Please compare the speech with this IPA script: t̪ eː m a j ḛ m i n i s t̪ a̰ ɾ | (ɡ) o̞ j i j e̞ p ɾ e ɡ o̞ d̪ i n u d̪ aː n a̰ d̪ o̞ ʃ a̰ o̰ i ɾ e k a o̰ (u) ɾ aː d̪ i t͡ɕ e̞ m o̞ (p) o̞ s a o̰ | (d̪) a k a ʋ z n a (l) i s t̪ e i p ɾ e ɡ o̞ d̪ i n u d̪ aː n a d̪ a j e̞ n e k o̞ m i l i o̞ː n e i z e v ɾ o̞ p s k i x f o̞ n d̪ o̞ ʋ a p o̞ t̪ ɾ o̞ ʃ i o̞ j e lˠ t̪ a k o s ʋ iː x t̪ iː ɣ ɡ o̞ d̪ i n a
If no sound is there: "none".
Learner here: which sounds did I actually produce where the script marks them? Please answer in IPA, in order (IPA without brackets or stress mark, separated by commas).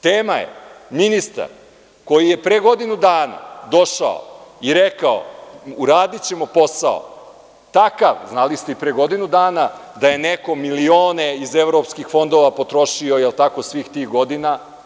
k, u, p, t̪, l